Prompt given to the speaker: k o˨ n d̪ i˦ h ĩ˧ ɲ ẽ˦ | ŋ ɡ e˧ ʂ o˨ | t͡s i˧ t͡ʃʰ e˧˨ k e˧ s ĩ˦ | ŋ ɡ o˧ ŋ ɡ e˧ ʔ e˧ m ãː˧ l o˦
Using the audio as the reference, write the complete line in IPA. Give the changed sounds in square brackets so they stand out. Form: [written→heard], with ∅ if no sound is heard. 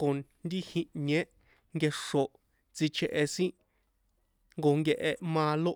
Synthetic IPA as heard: k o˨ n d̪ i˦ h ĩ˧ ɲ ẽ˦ | ŋ ɡ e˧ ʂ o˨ | t͡s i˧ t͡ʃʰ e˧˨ [k→ʔ] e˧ s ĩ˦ | ŋ ɡ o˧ ŋ ɡ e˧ ʔ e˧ m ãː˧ l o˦